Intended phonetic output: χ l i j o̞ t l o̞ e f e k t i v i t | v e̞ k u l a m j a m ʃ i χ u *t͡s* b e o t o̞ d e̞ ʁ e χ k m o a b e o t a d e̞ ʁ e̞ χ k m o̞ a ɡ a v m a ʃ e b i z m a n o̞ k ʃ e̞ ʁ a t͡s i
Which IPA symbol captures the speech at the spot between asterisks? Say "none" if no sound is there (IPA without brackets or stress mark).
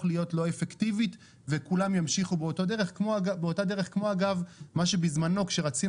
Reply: none